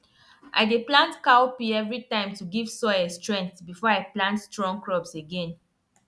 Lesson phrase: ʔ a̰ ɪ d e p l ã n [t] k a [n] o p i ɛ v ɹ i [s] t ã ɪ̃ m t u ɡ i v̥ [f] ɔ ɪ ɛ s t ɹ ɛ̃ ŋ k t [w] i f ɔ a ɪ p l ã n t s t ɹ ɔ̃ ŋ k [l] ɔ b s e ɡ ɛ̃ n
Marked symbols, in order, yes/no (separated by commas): yes, no, no, no, no, no